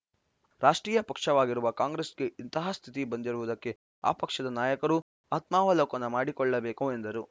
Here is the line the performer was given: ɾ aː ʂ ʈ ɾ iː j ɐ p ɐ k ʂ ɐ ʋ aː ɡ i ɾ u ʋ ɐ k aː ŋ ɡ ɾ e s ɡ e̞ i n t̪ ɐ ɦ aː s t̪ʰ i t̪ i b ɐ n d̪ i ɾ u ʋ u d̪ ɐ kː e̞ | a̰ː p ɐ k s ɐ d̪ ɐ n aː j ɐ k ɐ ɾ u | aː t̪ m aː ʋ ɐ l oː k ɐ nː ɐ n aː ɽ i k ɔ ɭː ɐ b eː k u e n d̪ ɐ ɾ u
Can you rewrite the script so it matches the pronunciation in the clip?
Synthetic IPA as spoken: ɾ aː ʂ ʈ ɾ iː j ɐ p ɐ k ʂ ɐ ʋ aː ɡ i ɾ u ʋ ɐ k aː ŋ ɡ ɾ e s ɡ e̞ i n t̪ ɐ ɦ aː s t̪ʰ i t̪ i b ɐ n d̪ i ɾ u ʋ u d̪ ɐ kː e̞ | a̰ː p ɐ k ʂ ɐ d̪ ɐ n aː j ɐ k ɐ ɾ u | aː t̪ m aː ʋ ɐ l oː k ɐ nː ɐ m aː ɽ i k ɔ ɭː ɐ b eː k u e n d̪ ɐ ɾ u